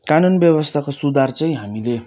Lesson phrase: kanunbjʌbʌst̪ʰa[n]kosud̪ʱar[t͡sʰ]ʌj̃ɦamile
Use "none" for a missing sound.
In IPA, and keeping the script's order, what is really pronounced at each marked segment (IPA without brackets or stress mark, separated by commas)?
none, t͡s